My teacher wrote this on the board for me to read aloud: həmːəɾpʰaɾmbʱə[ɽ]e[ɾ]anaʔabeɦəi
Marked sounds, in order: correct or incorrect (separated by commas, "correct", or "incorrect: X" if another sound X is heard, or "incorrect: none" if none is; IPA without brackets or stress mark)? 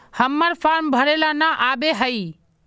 incorrect: ɾ, incorrect: l